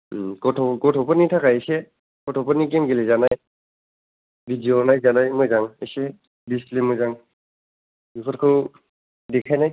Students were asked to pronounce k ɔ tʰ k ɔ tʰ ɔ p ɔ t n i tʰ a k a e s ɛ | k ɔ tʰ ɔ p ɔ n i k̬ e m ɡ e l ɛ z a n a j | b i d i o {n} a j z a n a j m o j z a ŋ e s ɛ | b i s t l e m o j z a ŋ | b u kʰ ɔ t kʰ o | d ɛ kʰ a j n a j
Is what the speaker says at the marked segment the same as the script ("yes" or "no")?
yes